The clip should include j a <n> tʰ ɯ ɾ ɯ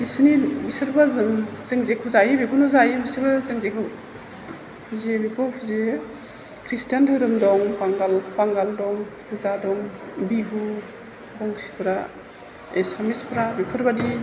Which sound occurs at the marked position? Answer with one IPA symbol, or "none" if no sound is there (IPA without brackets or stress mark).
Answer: n